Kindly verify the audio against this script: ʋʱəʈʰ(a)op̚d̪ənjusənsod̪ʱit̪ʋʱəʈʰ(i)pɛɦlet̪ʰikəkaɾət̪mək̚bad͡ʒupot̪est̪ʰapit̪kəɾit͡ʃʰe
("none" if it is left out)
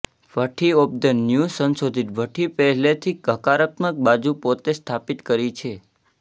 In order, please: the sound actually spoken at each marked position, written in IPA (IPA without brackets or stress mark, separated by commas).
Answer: i, i